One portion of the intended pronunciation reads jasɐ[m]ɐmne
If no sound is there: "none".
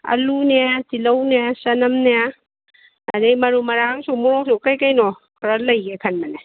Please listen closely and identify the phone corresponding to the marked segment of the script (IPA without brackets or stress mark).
n